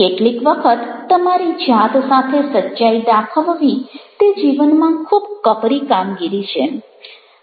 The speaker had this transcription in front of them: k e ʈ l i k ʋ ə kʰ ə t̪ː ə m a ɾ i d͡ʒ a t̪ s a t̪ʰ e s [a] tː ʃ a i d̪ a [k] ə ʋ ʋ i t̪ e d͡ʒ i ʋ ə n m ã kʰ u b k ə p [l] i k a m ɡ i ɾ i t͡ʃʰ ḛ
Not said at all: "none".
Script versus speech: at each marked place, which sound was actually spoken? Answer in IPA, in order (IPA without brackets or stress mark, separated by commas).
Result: ə, kʰ, ɾ